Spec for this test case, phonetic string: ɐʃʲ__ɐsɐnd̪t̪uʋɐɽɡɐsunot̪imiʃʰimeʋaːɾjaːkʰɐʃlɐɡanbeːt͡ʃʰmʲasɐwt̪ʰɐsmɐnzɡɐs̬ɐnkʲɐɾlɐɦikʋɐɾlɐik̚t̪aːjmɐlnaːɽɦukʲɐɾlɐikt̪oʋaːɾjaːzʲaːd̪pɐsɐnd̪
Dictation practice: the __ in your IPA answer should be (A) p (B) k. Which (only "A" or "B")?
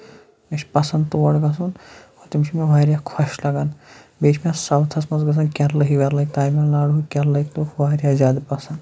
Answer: A